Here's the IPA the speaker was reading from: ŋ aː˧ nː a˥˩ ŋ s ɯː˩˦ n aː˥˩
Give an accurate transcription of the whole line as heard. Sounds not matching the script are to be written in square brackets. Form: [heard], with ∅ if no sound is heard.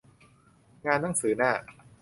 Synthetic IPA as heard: ŋ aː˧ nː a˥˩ ŋ s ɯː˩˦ n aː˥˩